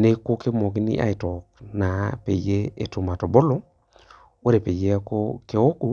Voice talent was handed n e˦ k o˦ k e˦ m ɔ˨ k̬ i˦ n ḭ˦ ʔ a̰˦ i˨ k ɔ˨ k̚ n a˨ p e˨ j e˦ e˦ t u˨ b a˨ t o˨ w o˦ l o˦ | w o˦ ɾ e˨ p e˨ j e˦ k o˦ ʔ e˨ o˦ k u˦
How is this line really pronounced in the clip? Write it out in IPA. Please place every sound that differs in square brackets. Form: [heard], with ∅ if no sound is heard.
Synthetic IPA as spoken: n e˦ k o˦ k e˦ m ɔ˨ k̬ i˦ n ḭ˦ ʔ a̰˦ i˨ [t] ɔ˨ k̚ n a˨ p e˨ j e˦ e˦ t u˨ [m] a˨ t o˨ [b] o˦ l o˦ | w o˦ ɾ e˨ p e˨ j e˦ k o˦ [k] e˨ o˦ k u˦